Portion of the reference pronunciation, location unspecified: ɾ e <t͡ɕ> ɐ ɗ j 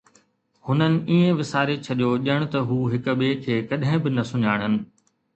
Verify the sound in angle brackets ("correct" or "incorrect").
incorrect